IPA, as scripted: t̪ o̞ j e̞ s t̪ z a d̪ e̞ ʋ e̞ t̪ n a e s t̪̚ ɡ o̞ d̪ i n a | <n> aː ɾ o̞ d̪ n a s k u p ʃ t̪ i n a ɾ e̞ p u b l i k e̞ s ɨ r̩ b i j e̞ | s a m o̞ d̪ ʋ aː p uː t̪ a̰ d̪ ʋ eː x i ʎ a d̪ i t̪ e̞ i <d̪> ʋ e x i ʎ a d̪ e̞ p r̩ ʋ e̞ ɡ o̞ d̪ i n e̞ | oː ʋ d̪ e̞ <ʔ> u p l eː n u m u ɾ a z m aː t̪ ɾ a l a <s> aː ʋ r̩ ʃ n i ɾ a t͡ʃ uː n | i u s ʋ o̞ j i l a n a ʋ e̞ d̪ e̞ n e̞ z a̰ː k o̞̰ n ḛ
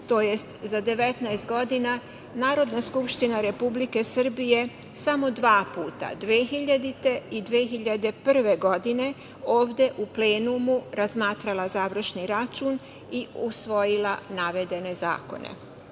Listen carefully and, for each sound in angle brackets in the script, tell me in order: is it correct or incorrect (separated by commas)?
correct, correct, correct, incorrect